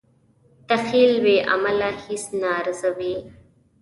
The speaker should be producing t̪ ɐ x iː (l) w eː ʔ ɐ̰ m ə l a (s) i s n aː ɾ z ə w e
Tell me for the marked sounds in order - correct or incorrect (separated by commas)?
correct, incorrect